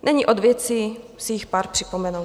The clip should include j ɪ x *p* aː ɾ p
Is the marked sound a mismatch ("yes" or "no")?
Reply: no